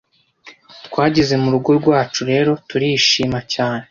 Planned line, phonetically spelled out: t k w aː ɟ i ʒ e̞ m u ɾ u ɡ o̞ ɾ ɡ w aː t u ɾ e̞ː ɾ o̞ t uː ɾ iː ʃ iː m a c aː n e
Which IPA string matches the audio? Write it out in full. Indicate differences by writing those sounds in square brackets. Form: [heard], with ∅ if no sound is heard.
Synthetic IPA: t k w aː ɟ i [z] e̞ m u ɾ u ɡ o̞ ɾ ɡ w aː [t͡ʃ] u ɾ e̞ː ɾ o̞ t [u] ɾ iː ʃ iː m a c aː n e